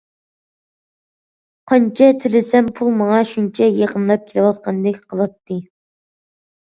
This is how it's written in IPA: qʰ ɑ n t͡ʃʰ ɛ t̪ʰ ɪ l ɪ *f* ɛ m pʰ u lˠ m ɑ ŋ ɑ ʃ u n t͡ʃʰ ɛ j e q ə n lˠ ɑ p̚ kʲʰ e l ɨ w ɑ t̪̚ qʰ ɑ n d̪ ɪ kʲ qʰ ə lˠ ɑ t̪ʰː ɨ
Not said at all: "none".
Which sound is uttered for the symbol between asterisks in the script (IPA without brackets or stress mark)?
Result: s